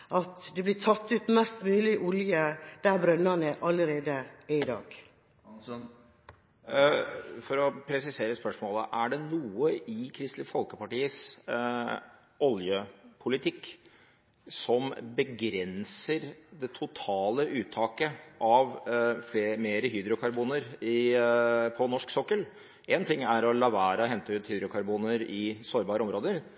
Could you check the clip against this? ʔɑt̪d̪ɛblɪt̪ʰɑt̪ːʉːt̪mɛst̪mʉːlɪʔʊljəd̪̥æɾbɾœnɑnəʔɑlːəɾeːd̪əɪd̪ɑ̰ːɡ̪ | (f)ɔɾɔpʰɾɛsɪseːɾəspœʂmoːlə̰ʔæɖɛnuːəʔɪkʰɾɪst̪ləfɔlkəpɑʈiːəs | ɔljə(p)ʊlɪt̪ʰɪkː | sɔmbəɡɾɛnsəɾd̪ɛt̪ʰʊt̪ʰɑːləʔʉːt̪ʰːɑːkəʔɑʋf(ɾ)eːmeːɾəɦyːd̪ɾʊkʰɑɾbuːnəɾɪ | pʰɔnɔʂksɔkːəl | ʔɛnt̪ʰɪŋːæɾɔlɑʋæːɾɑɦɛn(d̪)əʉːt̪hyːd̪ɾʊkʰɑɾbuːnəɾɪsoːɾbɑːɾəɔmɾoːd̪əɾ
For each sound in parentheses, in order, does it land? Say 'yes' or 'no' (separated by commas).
yes, no, no, no